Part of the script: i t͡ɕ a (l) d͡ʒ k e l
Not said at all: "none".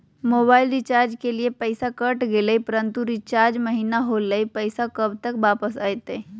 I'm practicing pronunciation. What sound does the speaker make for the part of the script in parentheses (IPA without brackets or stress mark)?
ɾ